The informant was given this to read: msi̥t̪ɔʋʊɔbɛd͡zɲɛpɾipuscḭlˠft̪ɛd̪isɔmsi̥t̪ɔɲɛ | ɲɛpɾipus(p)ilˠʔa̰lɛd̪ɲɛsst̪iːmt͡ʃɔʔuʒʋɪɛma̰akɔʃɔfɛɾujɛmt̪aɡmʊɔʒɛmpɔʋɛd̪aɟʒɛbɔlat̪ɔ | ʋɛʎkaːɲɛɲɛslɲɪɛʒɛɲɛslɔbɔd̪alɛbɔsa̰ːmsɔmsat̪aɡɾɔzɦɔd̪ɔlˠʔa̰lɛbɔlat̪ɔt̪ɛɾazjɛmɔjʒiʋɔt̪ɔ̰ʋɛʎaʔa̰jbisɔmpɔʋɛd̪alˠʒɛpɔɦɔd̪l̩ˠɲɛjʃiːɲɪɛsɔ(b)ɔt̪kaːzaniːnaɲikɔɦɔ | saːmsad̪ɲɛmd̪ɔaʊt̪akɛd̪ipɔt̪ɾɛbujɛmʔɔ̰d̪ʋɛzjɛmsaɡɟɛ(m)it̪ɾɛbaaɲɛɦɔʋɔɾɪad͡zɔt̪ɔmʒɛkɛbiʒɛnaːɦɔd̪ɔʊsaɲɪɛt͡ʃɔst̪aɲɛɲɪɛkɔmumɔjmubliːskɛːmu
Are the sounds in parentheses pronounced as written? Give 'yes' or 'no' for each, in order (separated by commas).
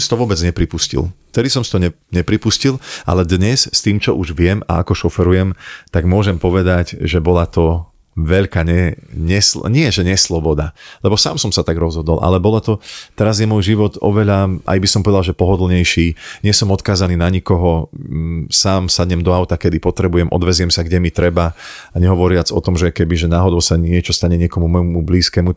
no, no, yes